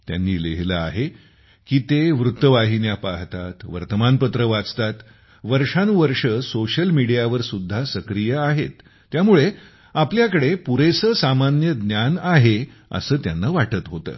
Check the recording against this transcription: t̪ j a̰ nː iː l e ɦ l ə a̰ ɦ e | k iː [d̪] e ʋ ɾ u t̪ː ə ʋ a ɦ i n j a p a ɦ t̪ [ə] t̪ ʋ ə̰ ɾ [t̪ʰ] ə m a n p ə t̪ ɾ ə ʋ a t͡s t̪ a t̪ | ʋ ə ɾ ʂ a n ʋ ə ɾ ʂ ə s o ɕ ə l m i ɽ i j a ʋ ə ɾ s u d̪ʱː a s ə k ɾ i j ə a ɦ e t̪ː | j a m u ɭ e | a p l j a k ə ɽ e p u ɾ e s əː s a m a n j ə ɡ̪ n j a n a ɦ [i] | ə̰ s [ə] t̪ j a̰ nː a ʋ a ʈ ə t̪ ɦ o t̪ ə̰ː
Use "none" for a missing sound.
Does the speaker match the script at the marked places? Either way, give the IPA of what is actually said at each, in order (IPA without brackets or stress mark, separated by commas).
t̪, a, t̪, e, əː